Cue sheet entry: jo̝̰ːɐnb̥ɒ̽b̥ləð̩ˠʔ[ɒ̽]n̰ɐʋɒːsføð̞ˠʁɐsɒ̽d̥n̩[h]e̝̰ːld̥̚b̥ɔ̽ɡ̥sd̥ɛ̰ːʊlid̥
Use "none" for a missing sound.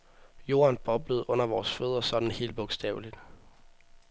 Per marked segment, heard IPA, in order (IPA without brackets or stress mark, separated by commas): ɔ̽, h